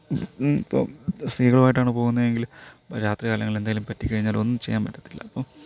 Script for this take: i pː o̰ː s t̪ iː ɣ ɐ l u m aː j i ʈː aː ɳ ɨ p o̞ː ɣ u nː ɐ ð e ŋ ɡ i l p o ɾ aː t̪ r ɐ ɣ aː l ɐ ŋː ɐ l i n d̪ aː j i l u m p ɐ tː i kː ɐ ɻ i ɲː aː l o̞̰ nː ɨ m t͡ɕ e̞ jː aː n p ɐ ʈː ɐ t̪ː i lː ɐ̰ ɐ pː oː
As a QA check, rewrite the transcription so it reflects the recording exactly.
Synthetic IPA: i pː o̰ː s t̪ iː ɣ ɐ ɭ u m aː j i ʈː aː ɳ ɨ p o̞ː ɣ u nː ɐ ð e ŋ ɡ i l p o ɾ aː t̪ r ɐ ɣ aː l ɐ ŋː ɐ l e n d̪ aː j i l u m p ɐ tː i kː ɐ ɻ i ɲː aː l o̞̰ nː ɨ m t͡ɕ e̞ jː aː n p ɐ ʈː ɐ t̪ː i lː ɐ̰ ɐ pː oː